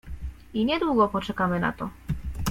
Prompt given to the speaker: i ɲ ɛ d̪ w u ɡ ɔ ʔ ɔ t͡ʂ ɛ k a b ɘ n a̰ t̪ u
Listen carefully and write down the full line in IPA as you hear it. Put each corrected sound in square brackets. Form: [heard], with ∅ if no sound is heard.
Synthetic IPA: i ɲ ɛ d̪ w u ɡ ɔ [p] ɔ t͡ʂ ɛ k a [m] ɘ n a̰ t̪ [ɔ]

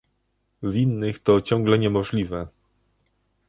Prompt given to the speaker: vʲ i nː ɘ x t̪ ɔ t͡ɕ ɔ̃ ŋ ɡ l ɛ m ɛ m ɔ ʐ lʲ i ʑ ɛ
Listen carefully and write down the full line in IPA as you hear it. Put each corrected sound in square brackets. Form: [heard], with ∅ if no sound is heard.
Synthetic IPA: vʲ i nː ɘ x t̪ ɔ t͡ɕ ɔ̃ ŋ ɡ l ɛ [ɲ] ɛ m ɔ ʐ lʲ i [v] ɛ

